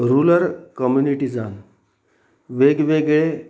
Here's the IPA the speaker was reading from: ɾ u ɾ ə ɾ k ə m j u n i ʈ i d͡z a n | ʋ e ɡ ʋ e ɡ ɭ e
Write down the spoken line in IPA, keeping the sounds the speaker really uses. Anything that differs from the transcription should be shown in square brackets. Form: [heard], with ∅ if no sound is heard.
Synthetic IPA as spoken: ɾ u [l] ə ɾ k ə m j u n i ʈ i d͡z a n | ʋ e ɡ ʋ e ɡ ɭ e